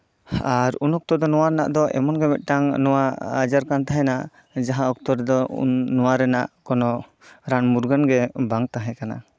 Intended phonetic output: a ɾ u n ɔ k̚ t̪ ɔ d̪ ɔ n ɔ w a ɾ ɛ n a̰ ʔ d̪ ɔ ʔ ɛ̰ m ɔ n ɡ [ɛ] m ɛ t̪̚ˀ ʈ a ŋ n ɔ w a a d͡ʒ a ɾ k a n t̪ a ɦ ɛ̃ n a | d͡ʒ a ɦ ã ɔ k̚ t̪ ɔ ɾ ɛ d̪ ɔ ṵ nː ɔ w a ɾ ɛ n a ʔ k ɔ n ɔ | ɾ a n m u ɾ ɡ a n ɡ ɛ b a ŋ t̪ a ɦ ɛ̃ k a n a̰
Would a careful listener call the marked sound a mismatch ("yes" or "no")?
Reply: no